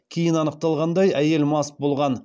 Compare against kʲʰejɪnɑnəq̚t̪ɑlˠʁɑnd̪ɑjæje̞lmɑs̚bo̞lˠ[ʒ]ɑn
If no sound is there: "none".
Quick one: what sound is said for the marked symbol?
ʁ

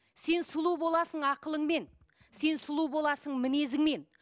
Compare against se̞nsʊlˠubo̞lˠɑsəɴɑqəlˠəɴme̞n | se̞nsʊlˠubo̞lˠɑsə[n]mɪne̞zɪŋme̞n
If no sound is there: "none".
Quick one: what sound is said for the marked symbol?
ɴ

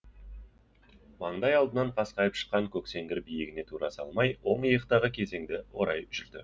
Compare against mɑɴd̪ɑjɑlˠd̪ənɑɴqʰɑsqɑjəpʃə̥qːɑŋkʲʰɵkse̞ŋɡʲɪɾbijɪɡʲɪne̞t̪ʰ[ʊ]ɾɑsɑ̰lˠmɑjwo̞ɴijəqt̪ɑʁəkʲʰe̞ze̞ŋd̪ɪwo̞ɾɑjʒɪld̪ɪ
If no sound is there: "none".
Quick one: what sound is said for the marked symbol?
u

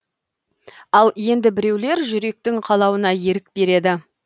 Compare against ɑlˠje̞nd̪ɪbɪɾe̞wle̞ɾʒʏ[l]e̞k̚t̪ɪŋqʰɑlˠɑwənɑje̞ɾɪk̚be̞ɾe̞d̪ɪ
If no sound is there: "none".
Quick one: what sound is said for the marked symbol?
ɾ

